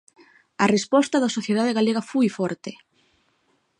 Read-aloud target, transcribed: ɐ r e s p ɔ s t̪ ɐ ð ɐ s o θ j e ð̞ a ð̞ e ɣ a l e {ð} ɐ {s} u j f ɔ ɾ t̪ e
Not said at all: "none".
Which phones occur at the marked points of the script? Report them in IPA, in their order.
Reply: ɣ, f

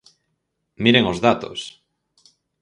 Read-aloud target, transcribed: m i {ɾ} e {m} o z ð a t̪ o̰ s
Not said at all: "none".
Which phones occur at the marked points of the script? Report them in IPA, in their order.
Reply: ɾ, ŋ

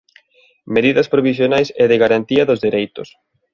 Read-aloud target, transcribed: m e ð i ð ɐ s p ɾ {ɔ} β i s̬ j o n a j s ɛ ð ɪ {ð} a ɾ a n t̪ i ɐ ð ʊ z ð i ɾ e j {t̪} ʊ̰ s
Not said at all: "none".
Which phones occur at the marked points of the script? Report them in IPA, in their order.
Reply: o, ɣ, t̪

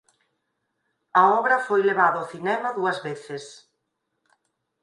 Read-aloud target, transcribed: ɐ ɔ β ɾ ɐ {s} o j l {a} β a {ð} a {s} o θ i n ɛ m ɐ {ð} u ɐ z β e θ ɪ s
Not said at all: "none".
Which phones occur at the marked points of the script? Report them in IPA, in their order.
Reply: f, e, ð, none, ð

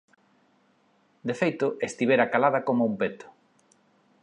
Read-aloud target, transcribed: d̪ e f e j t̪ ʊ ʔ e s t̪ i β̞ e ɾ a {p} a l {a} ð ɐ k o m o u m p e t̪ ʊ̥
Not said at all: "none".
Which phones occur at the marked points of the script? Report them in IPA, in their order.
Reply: k, a

